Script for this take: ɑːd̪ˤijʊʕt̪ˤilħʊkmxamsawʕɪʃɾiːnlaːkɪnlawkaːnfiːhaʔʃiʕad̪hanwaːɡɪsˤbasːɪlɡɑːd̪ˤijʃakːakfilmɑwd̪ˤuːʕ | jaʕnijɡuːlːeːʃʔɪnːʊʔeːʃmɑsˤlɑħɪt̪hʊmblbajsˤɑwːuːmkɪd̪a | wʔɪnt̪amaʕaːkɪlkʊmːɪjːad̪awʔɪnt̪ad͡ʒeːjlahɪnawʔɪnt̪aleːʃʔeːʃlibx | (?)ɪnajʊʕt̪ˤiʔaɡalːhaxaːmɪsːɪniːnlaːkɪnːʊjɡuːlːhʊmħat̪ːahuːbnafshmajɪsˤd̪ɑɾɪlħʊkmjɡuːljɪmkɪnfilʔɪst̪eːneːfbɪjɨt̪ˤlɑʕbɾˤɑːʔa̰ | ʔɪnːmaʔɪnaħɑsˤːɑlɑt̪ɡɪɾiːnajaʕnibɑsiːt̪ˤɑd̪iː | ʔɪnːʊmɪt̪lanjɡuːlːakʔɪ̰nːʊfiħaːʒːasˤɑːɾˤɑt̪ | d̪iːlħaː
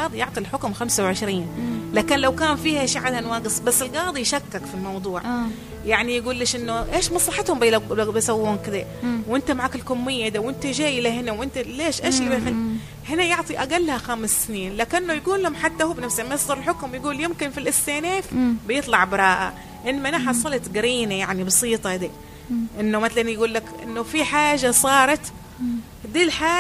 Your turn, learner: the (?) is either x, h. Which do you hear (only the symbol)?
h